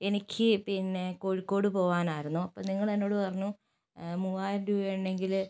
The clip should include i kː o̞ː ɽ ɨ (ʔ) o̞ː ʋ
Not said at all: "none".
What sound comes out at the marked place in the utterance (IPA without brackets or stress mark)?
p